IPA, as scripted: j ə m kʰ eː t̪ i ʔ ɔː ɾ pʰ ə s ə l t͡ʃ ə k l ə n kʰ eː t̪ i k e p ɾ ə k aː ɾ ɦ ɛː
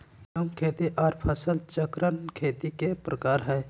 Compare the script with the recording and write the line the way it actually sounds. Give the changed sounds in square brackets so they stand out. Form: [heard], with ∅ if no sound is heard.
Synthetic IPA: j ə m kʰ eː t̪ i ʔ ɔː ɾ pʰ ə s ə l t͡ʃ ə k [ɾ] ə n kʰ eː t̪ i k e p ɾ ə k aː ɾ ɦ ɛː